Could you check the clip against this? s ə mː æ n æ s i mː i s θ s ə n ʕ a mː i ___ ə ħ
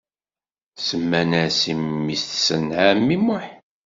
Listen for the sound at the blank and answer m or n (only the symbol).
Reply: m